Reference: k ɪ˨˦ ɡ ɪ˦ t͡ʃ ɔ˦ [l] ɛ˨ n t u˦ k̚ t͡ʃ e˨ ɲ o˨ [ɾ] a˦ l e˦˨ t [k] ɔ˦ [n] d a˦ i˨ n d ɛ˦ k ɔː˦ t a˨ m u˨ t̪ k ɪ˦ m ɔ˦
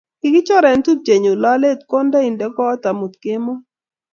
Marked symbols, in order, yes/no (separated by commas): no, no, yes, yes